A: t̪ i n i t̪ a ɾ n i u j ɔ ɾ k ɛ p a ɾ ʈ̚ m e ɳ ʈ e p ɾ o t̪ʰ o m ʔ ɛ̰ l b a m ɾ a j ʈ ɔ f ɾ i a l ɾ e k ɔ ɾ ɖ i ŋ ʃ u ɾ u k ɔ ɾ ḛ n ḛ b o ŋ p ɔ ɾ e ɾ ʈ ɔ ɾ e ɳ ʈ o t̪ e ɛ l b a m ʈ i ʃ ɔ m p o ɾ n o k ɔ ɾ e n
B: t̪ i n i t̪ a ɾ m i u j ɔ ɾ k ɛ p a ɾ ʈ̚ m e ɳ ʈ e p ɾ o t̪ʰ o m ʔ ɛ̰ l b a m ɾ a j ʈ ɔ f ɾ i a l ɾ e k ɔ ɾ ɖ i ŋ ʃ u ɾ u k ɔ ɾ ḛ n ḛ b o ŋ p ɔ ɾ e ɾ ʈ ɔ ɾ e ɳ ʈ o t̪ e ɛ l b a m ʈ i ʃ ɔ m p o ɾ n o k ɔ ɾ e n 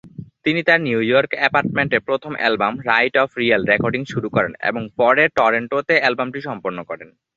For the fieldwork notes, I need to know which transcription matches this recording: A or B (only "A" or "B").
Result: A